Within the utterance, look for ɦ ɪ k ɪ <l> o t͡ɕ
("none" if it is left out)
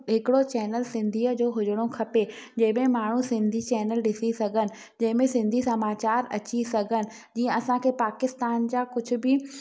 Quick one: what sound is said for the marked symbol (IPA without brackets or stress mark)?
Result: ɽ